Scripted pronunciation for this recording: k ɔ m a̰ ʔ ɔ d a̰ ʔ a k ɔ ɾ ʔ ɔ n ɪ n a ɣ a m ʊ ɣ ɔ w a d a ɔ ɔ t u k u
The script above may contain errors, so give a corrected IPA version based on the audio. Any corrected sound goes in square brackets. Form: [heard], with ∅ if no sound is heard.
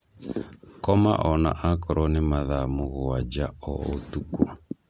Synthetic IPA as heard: k ɔ m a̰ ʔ ɔ [n] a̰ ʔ a k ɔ ɾ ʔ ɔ n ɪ [m] a [ð] a m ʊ ɣ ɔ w a [d͡ʒ] a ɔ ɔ t u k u